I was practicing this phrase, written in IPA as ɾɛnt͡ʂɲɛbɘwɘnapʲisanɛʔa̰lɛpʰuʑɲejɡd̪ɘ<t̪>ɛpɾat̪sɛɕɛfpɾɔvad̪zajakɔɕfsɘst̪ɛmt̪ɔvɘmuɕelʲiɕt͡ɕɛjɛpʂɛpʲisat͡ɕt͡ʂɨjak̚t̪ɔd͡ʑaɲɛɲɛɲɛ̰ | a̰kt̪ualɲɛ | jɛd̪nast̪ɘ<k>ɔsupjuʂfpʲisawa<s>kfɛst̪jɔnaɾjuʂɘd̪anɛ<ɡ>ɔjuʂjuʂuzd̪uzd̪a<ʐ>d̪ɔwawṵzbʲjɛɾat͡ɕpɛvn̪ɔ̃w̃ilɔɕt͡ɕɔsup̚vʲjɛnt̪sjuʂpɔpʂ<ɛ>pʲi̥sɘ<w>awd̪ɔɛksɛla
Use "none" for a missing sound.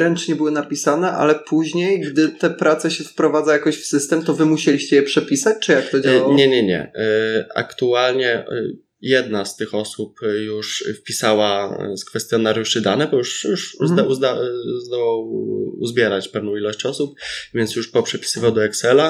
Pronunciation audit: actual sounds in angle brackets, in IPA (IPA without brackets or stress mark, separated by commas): t̪, x, s, b, z, ɛ, v